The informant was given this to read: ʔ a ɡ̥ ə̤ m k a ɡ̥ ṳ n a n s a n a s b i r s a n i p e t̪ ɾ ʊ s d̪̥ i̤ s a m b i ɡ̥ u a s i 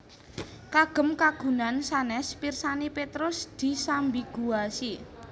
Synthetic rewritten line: k a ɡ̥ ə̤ m k a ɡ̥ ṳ n a n s a n ɛ s p i r s a n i p e t̪ ɾ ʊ s d̪̥ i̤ s a m b i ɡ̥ u a s i

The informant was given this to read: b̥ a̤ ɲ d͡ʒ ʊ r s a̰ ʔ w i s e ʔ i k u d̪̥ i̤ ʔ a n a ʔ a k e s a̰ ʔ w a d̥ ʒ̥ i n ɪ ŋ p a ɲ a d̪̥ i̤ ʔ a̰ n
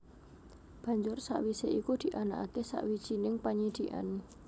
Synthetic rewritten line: b̥ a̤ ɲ d͡ʒ ʊ r s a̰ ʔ w i s e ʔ i k u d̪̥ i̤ ʔ a n a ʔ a k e s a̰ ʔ w i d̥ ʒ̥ i n ɪ ŋ p a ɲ i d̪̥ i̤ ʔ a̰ n

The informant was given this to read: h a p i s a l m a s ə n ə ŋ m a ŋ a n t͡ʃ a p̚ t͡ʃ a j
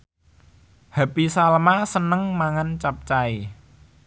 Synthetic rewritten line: h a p i s a l m a s ə n ə ŋ m a ŋ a n t͡ʃ a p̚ t͡ʃ a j

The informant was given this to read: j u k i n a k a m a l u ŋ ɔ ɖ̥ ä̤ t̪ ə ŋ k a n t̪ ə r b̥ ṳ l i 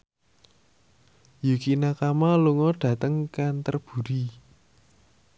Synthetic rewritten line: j u k i n a k a m a l u ŋ ɔ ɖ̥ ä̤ t̪ ə ŋ k a n t̪ ə r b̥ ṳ ɾ i

